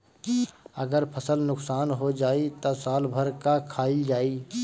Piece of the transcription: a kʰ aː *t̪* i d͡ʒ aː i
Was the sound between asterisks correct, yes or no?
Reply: no